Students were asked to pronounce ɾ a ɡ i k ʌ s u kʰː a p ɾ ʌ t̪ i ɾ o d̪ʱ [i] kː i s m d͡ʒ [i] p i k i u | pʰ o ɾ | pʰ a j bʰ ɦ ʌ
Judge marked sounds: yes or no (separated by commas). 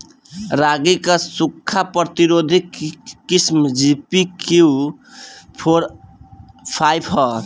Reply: yes, yes